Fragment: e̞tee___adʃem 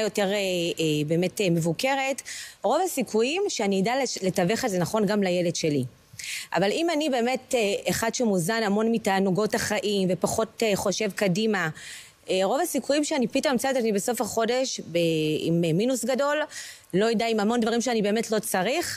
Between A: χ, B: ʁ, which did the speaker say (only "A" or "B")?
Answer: A